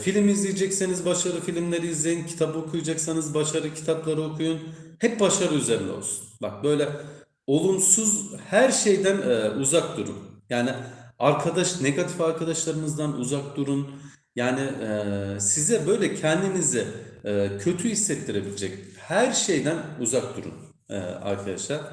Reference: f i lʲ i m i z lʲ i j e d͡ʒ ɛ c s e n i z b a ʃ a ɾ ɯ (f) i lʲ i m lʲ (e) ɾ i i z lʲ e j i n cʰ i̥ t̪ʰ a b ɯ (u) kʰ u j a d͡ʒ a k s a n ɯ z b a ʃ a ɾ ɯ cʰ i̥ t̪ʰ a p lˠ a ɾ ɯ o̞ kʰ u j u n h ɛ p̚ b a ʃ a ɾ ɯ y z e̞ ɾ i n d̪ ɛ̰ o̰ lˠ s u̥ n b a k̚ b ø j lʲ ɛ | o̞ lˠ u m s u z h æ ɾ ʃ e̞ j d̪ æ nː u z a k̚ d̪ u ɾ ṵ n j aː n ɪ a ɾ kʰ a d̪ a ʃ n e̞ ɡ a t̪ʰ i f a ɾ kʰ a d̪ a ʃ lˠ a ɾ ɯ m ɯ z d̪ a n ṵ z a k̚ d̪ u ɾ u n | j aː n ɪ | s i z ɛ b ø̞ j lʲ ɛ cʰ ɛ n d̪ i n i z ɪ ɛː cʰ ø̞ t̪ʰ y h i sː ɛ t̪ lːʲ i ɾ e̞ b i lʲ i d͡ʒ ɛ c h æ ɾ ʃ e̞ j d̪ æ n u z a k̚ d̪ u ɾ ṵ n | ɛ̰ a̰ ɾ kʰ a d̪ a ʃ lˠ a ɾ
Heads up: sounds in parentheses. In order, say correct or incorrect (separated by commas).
correct, correct, incorrect